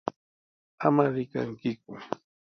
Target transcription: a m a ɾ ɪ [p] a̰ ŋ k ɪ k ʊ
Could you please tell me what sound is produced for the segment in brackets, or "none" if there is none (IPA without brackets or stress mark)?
k